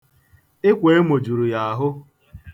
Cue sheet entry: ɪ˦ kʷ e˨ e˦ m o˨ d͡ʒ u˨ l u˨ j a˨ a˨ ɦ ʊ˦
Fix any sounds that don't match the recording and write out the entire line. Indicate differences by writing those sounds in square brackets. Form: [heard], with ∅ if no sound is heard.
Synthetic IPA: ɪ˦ kʷ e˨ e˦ m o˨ d͡ʒ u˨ [ɾ] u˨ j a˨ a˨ ɦ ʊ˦